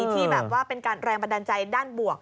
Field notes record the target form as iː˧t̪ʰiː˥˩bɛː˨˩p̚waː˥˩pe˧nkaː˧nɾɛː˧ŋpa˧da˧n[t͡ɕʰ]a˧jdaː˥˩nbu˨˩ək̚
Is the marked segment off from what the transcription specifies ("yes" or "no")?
yes